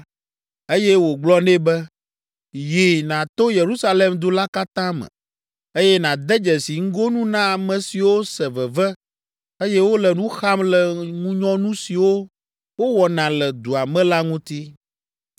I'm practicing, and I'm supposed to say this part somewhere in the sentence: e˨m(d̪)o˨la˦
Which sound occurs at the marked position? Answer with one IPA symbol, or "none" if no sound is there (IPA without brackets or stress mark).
d̪